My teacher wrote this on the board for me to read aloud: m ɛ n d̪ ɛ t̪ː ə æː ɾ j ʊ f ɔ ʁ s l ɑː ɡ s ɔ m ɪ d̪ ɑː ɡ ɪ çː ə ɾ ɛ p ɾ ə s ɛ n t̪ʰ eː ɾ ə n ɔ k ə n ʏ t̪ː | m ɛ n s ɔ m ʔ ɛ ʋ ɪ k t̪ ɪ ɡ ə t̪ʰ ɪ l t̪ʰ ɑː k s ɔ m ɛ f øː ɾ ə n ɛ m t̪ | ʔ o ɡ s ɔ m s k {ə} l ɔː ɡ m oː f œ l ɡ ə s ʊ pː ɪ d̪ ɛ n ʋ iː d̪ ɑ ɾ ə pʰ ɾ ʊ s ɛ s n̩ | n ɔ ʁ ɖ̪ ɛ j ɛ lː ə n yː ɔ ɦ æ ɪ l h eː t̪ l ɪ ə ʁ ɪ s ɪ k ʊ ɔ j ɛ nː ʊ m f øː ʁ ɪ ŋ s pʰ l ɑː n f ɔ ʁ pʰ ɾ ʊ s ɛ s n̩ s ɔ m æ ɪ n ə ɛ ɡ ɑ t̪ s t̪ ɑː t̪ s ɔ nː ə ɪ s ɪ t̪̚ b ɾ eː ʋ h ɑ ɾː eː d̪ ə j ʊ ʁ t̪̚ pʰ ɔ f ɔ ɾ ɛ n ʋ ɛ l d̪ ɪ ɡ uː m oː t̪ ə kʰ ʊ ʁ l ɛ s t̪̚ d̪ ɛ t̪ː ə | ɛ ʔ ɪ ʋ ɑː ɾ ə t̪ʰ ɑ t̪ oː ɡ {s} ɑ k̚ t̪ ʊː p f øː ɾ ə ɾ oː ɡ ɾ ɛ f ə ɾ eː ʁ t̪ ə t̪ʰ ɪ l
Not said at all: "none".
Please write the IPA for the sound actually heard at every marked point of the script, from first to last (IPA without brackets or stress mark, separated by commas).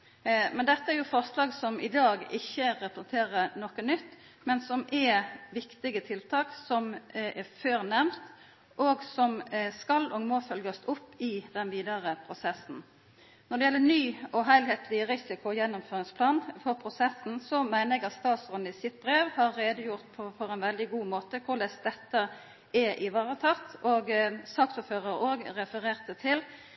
ɑ, s